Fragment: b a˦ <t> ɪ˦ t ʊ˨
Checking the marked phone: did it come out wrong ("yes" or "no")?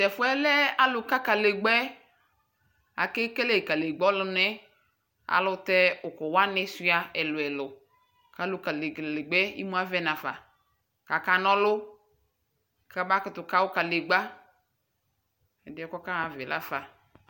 yes